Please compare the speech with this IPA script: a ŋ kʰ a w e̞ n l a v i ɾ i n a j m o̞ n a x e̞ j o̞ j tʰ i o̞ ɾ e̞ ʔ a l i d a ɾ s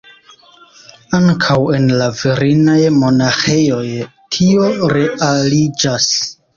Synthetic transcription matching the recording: a ŋ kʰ a w e̞ n l a v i ɾ i n a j m o̞ n a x e̞ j o̞ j tʰ i o̞ ɾ e̞ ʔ a l i d͡ʒ a s